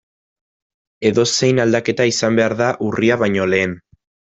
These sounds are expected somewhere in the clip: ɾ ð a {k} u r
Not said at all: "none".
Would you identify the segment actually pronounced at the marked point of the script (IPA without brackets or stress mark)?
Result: ʔ